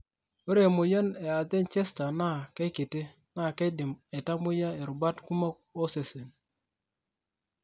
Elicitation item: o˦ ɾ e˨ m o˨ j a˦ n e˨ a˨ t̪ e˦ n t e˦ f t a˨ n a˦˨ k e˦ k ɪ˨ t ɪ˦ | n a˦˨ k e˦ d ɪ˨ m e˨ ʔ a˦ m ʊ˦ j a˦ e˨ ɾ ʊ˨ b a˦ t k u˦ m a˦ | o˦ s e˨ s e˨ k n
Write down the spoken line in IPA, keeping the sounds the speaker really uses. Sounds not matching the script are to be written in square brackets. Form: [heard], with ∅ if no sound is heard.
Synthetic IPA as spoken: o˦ ɾ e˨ m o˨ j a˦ n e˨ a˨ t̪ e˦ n [t͡ʃ] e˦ [s] t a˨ n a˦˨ k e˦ k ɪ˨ t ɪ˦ | n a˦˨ k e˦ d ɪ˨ m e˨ [t] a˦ m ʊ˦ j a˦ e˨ ɾ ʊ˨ b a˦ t k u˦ m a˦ | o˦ s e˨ s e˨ [∅] n